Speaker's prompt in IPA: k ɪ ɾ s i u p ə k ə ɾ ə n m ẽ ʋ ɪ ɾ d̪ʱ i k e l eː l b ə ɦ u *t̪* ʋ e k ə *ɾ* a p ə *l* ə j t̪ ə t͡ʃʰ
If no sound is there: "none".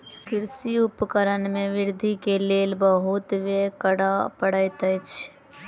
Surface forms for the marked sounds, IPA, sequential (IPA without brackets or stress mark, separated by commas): t̪, ɽ, ɽ